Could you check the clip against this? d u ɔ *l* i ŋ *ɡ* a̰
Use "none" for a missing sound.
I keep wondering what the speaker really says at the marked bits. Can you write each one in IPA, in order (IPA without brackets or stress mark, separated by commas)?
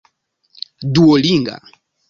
l, ɡ